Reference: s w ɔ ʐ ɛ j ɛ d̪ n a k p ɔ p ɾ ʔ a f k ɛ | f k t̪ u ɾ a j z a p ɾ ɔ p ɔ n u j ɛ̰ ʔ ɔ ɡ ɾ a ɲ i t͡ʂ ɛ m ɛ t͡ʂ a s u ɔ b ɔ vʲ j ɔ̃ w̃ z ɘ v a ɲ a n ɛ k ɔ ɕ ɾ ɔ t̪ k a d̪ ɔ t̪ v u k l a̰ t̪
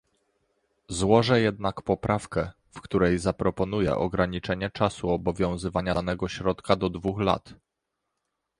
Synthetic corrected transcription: z w ɔ ʐ ɛ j ɛ d̪ n a k p ɔ p ɾ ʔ a f k ɛ | f k t̪ u ɾ ɛ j z a p ɾ ɔ p ɔ n u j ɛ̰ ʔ ɔ ɡ ɾ a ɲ i t͡ʂ ɛ ɲ ɛ t͡ʂ a s u ɔ b ɔ vʲ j ɔ̃ w̃ z ɘ v a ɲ a n ɛ ɡ ɔ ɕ ɾ ɔ t̪ k a d̪ ɔ d̪ v u x l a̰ t̪